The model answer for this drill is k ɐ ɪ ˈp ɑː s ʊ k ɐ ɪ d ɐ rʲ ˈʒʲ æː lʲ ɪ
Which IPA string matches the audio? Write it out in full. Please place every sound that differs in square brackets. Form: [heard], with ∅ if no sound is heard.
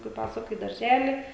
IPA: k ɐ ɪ ˈp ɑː s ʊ k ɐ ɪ d ɐ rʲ ˈʒʲ æː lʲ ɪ